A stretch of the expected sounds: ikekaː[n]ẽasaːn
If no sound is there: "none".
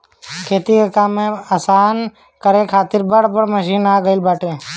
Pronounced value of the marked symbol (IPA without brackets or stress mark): m